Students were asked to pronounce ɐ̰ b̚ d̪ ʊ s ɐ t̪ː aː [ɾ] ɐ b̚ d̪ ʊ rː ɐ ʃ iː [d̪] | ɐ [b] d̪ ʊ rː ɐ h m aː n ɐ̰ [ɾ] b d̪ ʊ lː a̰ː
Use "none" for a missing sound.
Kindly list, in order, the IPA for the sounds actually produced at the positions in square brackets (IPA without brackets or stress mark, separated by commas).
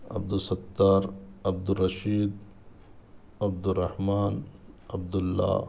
ɾ, d̪, b, none